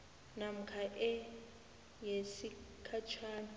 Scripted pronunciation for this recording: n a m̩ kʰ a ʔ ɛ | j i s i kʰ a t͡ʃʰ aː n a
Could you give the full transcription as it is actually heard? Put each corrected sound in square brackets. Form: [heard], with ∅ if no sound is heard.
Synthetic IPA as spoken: n a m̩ kʰ a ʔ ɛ | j [e] s i kʰ a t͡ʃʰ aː n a